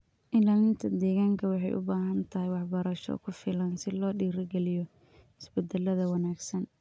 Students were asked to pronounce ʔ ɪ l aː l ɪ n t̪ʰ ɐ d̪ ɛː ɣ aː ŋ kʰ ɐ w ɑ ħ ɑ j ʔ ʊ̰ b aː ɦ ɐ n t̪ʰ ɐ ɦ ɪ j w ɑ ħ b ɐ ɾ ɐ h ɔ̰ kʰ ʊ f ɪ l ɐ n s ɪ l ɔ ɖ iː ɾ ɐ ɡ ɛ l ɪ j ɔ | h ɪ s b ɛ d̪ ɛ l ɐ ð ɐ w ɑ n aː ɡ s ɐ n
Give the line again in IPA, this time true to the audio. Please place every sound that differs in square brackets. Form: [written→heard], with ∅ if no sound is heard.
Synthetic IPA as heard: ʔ ɪ l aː l ɪ n t̪ʰ ɐ d̪ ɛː ɣ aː ŋ kʰ ɐ w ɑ ħ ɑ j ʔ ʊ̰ b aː ɦ ɐ n t̪ʰ ɐ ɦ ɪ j w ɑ ħ b ɐ ɾ ɐ [h→ʃ] ɔ̰ kʰ ʊ f ɪ l ɐ n s ɪ l [ɔ→ɔː] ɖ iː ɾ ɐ ɡ ɛ l ɪ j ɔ | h ɪ s b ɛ d̪ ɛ l ɐ ð ɐ w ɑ n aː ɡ s ɐ n